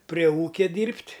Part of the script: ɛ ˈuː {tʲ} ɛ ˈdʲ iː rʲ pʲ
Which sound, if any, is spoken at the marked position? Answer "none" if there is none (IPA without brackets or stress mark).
kʲ